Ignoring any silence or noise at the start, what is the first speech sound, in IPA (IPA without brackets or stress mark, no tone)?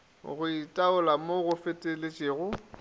ɣ